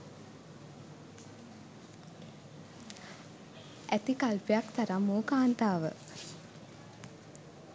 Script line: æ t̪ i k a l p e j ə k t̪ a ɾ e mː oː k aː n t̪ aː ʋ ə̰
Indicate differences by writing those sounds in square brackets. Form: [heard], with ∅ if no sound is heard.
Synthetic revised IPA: æ t̪ i k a l p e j [a] k t̪ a ɾ [a] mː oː k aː n t̪ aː ʋ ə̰